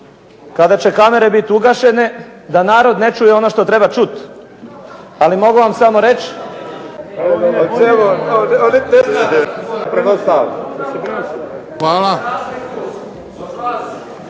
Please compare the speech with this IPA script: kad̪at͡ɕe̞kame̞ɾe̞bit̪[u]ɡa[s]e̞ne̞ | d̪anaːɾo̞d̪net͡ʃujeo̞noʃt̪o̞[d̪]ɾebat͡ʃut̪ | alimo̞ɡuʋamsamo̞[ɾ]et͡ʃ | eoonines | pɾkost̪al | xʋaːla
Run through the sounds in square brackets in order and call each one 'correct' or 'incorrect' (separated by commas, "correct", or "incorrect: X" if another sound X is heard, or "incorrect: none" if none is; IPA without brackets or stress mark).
correct, incorrect: ʃ, incorrect: t̪, correct